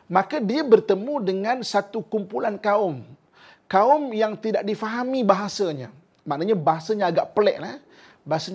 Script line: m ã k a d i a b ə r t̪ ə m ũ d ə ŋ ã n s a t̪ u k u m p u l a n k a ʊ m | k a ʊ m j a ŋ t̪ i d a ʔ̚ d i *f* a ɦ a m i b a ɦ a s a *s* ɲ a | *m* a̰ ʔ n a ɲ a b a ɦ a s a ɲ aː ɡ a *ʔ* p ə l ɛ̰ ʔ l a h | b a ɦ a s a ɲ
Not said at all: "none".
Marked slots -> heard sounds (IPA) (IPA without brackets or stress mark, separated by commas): f, none, m, ʔ